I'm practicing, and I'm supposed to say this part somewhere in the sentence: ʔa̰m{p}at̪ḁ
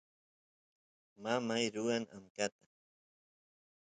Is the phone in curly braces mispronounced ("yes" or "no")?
yes